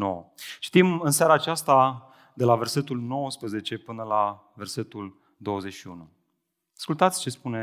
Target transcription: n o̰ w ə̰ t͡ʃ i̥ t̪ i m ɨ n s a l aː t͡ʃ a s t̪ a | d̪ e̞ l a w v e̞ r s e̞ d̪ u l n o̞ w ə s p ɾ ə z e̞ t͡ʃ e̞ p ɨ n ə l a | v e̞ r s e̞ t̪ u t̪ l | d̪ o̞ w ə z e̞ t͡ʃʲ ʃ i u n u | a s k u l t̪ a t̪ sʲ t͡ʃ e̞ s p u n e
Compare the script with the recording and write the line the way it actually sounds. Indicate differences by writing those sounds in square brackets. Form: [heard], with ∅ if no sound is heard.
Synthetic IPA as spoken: n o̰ w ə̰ t͡ʃ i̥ t̪ i m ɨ n s a [ɾ] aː t͡ʃ a s t̪ a | d̪ e̞ l a [∅] v e̞ r s e̞ [t̪] u l n o̞ w ə s p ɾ ə z e̞ t͡ʃ e̞ p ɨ n ə l a | v e̞ r s e̞ t̪ u [∅] l | d̪ o̞ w ə z e̞ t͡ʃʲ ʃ i u n u | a s k u l t̪ a t̪ sʲ t͡ʃ e̞ s p u n e